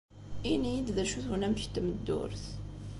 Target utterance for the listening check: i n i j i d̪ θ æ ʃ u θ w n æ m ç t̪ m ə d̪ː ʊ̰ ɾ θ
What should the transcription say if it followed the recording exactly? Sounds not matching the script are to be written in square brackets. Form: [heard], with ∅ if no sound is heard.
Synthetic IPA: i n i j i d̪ [ð] æ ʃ u θ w n æ m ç t̪ m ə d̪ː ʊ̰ ɾ θ